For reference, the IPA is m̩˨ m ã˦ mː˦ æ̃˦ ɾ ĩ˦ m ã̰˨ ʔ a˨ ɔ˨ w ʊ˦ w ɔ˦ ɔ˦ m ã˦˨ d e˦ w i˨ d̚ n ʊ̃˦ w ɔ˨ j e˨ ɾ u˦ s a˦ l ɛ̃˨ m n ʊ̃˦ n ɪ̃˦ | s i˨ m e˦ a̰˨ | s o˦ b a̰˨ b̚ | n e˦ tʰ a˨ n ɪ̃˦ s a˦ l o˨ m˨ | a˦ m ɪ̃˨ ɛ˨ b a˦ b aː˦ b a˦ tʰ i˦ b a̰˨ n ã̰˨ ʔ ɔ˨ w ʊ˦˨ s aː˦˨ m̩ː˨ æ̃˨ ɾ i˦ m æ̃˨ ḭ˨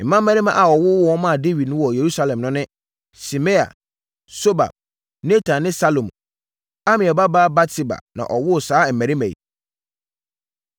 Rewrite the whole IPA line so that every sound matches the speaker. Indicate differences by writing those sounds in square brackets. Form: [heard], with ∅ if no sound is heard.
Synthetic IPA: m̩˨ m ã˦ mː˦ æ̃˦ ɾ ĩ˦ m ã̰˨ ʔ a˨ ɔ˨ w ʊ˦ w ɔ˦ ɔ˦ m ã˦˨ d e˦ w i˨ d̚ n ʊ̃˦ w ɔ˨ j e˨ ɾ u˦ s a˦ l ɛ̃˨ m n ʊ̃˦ n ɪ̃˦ | s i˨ m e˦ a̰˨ | s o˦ b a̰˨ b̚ | n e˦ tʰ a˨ n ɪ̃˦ s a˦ l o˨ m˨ | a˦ m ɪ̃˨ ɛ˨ b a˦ b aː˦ b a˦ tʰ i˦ b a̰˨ n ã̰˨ ʔ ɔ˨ w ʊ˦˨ s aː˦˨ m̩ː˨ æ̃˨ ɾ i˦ m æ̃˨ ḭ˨